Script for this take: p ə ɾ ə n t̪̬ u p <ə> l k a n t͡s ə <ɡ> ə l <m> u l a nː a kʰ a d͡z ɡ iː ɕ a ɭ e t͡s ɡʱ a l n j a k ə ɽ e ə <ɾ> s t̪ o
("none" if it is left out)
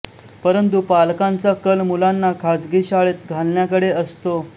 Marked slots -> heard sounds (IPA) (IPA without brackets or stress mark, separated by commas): a, k, m, none